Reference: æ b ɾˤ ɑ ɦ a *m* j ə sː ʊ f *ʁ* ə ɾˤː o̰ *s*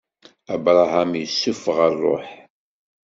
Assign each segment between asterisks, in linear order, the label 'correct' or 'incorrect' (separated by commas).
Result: correct, correct, incorrect